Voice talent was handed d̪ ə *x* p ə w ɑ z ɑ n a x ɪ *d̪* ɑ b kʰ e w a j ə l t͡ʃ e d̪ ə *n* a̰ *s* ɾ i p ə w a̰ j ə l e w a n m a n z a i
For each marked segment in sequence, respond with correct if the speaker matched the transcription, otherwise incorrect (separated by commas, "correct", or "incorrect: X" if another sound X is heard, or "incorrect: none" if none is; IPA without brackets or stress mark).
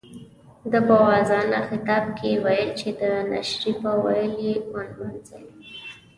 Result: incorrect: none, incorrect: t̪, correct, incorrect: ʃ